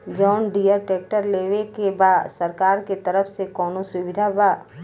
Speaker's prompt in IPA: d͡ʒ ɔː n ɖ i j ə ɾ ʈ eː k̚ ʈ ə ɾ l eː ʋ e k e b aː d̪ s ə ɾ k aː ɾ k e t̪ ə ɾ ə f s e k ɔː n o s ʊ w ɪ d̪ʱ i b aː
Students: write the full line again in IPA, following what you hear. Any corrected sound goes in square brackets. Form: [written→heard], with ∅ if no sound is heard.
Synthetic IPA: d͡ʒ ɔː n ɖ i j ə ɾ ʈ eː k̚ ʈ ə ɾ l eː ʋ e k e b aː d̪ s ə ɾ k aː ɾ k e t̪ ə ɾ ə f s e k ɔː n o s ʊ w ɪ d̪ʱ [i→a] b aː

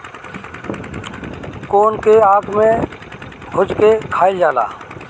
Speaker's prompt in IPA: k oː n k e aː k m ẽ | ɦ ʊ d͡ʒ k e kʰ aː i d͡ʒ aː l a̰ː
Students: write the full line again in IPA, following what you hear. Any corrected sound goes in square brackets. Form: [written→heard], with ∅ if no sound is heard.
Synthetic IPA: k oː n k e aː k m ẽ | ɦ ʊ d͡ʒ k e kʰ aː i d͡ʒ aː l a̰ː

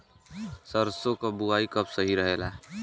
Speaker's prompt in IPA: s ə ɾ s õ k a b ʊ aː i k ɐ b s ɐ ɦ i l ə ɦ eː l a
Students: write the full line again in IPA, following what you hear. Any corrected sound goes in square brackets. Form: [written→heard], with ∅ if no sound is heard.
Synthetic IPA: s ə ɾ s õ k a b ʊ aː i k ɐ b s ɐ ɦ i [l→ɾ] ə ɦ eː l a

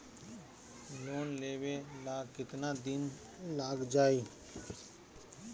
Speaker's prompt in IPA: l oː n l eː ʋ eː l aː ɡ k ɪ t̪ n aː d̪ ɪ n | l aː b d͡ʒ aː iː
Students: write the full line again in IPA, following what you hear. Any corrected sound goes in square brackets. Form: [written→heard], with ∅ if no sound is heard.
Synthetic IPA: l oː n l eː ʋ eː l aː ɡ k ɪ t̪ n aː d̪ ɪ n | l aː [b→ɡ] d͡ʒ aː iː

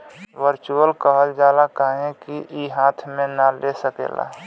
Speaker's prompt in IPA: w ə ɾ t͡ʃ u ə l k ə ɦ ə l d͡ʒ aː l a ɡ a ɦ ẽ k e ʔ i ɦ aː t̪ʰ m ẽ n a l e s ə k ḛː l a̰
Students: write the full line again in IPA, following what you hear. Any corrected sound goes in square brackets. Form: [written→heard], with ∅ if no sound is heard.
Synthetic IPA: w ə ɾ t͡ʃ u ə l k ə ɦ ə l d͡ʒ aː l a [ɡ→k] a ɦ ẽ k [e→i] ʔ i ɦ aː t̪ʰ m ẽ n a l e s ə k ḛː l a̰

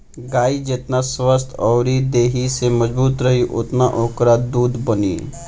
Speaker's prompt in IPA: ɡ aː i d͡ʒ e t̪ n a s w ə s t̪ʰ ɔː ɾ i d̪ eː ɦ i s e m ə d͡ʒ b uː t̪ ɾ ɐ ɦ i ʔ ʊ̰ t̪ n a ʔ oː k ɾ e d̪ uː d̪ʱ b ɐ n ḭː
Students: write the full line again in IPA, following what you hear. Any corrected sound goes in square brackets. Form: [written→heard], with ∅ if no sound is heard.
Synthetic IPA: ɡ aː i d͡ʒ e t̪ n a s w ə s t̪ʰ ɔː ɾ i d̪ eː ɦ i s e m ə d͡ʒ b uː t̪ ɾ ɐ ɦ i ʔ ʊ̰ t̪ n a ʔ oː k ɾ [e→a] d̪ uː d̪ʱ b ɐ n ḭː

